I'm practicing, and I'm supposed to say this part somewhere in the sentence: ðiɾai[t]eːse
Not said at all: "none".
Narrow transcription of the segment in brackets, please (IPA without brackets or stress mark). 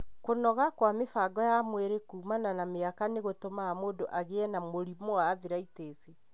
t